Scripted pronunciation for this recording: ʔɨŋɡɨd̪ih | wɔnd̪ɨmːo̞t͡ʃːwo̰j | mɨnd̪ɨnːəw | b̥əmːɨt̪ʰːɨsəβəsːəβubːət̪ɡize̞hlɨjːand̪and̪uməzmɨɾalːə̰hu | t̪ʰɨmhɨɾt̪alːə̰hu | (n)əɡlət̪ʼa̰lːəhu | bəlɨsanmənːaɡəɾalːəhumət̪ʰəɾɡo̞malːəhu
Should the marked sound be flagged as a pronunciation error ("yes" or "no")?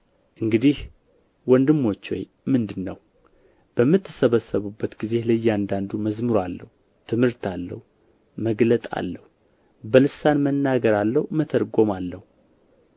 yes